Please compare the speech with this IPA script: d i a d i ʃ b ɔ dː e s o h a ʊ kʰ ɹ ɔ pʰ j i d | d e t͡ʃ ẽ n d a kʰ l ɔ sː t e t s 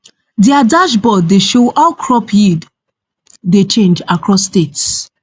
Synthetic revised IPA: d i a d a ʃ b ɔ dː e ʃ o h a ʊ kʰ ɹ ɔ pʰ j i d | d e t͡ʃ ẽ n d͡ʒ a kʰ ɹ ɔ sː t e t s